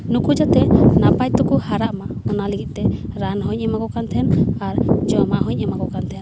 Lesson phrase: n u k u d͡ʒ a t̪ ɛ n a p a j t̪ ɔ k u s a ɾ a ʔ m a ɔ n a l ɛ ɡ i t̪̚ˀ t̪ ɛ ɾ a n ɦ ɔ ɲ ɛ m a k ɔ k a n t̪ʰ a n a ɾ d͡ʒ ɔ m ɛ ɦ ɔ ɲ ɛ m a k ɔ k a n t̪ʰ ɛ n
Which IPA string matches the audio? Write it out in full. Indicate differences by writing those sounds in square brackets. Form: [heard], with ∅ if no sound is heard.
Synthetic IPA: n u k u d͡ʒ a t̪ ɛ n a p a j t̪ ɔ k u [h] a ɾ a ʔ m a ɔ n a l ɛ ɡ i t̪̚ˀ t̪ ɛ ɾ a n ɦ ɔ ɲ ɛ m a k ɔ k a n t̪ʰ [ɛ] n a ɾ d͡ʒ ɔ m [a] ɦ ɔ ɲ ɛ m a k ɔ k a n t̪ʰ ɛ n